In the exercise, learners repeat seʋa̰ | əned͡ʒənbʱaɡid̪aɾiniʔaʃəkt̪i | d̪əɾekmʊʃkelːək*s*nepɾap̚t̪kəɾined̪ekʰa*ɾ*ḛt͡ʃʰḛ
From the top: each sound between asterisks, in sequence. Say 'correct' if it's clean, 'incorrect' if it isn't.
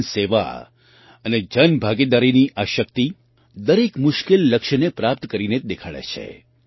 incorrect: ʃ, incorrect: ɭ

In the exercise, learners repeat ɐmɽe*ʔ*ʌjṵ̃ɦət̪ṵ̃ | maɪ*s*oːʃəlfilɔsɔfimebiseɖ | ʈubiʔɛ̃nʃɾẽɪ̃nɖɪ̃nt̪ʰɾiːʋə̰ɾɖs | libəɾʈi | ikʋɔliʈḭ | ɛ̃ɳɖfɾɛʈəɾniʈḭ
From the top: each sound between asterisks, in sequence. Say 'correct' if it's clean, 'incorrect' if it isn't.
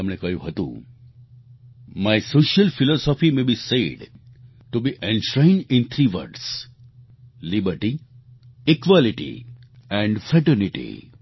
incorrect: k, correct

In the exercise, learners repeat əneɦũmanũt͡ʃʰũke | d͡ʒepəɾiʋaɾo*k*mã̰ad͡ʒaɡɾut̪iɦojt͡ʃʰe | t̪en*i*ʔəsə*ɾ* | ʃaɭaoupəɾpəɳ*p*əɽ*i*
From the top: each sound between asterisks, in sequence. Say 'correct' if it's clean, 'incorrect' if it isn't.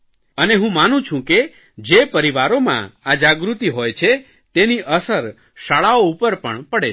incorrect: none, correct, correct, correct, incorrect: e

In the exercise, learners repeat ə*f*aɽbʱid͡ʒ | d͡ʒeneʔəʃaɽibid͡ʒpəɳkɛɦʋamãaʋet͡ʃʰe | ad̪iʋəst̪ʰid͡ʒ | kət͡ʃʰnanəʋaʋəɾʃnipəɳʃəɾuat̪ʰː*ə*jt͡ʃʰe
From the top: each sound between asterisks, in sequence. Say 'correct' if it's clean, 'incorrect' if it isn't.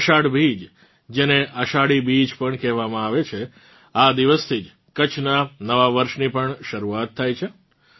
incorrect: ʃ, incorrect: a

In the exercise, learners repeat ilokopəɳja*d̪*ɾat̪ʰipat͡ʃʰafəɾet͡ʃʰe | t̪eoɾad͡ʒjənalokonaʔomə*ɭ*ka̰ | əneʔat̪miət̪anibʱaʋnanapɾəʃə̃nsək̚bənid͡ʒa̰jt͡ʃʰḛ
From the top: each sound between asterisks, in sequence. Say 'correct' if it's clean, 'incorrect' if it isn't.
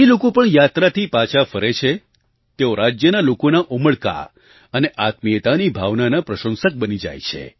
incorrect: t̪, correct

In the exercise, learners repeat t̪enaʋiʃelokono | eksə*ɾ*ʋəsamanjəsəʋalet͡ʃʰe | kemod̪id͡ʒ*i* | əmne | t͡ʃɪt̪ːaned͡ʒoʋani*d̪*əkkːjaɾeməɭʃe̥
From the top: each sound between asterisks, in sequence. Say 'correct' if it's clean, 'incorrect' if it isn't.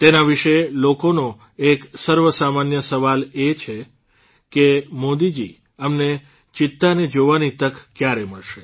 correct, correct, incorrect: t̪

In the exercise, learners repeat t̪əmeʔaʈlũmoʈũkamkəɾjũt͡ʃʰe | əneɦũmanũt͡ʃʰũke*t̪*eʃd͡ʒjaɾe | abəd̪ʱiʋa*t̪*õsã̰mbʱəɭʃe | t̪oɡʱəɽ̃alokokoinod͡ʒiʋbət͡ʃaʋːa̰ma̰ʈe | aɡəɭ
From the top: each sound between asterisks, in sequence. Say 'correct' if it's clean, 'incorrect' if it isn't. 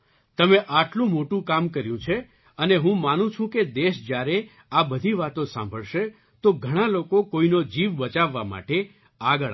incorrect: d̪, correct

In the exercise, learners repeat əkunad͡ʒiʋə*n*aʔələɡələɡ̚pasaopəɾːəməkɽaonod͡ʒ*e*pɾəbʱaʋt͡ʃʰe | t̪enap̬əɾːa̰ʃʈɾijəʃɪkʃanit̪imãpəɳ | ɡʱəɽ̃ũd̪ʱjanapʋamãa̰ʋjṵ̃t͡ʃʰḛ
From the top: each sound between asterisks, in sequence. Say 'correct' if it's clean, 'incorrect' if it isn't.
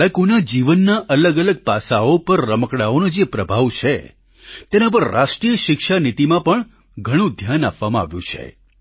incorrect: nː, correct

